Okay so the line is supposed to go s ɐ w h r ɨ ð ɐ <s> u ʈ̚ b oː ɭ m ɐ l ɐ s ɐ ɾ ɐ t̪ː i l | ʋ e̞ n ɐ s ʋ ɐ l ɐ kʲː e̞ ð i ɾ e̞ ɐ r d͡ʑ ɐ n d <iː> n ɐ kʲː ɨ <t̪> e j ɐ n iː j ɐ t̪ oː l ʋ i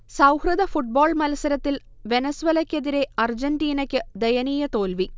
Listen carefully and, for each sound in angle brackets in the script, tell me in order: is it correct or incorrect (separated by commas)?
incorrect, correct, incorrect